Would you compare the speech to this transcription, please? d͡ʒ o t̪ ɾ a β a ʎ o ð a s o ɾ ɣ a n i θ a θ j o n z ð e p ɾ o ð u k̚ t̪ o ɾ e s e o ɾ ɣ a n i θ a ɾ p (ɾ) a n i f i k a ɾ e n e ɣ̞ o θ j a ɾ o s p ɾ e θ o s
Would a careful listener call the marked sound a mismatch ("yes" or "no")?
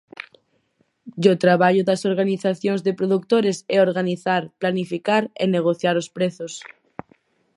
yes